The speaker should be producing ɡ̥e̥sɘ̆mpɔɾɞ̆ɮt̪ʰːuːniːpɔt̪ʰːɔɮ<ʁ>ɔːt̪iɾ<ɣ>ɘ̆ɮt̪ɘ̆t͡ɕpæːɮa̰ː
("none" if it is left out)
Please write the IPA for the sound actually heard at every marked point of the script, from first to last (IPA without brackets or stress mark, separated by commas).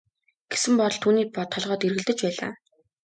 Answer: ʁ, ɣ